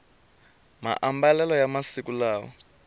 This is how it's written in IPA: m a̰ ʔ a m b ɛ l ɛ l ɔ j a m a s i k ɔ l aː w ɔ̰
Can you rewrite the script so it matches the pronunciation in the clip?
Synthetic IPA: m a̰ ʔ a m b a l ɛ l ɔ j a m a s i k u l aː w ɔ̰